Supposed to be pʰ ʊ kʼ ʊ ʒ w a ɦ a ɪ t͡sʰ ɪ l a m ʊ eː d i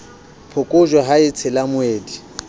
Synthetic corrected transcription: pʰ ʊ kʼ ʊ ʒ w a ɦ a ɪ t͡sʰ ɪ l a m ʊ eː d i